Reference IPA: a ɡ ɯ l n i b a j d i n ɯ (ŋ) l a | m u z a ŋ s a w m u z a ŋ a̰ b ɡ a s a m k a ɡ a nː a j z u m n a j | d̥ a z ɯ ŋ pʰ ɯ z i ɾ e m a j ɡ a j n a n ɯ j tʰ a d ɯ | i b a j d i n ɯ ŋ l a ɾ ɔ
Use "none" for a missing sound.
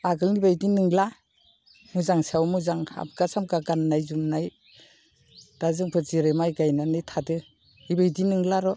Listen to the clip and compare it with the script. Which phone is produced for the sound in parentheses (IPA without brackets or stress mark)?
ŋ